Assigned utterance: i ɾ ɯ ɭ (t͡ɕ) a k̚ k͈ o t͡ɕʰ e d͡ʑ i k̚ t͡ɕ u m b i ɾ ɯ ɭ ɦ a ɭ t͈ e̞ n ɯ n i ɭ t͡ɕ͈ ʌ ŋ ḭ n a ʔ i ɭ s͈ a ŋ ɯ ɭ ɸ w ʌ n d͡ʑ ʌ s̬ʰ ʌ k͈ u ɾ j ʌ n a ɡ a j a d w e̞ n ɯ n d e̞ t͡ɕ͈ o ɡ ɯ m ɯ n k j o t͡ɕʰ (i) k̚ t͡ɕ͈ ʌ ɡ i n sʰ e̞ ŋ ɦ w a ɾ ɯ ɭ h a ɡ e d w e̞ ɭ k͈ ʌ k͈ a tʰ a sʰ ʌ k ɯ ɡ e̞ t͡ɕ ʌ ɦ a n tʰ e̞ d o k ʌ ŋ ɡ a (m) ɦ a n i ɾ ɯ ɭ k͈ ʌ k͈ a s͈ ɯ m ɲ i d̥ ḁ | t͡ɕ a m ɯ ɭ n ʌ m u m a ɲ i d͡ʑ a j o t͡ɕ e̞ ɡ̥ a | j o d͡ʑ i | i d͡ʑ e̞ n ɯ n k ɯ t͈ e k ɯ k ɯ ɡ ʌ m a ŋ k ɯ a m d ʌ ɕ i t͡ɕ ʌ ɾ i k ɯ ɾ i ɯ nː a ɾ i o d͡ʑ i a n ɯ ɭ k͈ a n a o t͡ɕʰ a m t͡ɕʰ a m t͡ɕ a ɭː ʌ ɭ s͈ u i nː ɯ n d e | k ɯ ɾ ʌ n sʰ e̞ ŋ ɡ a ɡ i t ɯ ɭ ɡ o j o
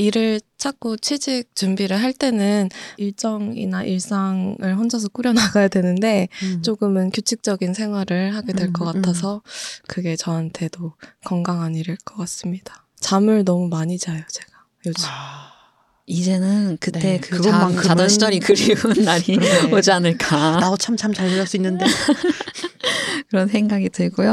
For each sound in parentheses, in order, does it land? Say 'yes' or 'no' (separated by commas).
no, yes, no